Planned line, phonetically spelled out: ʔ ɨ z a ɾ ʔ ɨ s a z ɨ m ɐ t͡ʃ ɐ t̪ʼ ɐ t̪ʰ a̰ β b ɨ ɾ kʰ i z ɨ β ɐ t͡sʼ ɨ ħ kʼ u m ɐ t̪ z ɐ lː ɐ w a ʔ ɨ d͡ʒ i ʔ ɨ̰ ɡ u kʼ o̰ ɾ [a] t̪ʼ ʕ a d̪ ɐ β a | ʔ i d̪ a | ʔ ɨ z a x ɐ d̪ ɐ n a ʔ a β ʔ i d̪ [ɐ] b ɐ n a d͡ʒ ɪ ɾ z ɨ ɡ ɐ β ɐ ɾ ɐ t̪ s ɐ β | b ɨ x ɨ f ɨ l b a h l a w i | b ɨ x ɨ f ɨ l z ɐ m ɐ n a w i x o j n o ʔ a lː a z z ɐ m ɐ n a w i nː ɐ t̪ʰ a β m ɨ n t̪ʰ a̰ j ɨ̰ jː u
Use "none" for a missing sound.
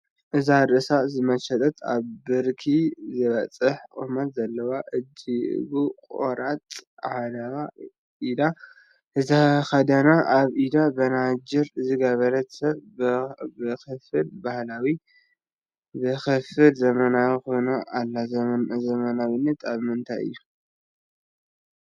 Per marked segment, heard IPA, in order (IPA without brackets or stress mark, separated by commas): a, a